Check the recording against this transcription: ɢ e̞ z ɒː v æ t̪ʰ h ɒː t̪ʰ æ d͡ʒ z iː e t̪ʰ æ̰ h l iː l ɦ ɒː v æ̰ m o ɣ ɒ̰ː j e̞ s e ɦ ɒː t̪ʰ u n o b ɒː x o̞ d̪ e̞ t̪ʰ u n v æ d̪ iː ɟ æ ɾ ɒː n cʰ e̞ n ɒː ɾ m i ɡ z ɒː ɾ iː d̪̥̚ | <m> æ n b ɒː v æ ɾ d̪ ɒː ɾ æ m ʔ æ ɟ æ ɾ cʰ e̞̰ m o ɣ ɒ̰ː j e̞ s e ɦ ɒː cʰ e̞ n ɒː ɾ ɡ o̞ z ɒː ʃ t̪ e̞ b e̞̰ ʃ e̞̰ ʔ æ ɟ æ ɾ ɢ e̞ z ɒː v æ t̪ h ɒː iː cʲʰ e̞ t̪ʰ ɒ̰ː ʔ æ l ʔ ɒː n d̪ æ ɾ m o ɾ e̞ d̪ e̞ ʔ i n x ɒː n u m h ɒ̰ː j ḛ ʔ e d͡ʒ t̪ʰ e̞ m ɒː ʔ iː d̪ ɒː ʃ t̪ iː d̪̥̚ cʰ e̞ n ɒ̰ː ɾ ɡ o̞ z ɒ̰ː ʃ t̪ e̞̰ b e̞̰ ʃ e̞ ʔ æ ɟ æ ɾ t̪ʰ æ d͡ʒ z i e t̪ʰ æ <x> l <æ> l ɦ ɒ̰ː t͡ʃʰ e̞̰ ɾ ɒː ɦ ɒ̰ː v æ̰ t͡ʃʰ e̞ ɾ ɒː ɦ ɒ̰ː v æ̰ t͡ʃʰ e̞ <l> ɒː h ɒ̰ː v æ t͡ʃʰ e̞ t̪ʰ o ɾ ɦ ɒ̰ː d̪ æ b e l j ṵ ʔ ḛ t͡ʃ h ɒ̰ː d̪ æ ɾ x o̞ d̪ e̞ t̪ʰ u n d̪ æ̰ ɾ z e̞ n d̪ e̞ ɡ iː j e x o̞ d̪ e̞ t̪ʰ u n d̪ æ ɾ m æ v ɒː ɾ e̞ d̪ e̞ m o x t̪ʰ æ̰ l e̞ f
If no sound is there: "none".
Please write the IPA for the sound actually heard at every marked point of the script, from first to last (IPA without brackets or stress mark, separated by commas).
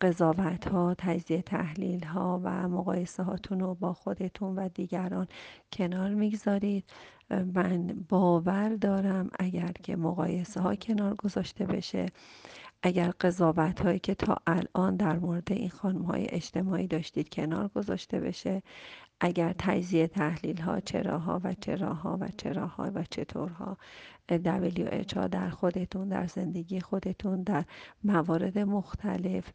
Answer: m, h, i, ɾ